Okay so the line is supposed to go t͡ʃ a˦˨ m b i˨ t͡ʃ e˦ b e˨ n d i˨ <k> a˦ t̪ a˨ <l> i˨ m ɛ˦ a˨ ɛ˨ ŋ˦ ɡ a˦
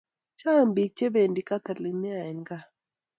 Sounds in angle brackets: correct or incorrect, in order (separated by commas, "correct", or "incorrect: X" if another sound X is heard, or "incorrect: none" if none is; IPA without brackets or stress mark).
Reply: correct, correct